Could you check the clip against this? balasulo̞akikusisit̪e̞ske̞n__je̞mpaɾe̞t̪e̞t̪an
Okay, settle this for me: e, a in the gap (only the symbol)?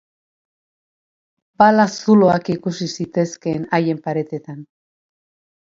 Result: a